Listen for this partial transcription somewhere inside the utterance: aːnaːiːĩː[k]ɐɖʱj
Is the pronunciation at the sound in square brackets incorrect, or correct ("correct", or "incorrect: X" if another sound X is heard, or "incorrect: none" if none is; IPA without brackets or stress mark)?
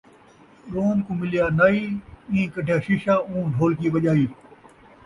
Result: correct